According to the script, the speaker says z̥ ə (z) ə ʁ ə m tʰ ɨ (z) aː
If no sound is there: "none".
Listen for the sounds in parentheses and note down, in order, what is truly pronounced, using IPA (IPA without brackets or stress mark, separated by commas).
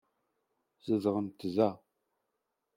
z, z